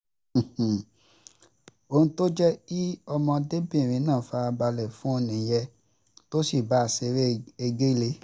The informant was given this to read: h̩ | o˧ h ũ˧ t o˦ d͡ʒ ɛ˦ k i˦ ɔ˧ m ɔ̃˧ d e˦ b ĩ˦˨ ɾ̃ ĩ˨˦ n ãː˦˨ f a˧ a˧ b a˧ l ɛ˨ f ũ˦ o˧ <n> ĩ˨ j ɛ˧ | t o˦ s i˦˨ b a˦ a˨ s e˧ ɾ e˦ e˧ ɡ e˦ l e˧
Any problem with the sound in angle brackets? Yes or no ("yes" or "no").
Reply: no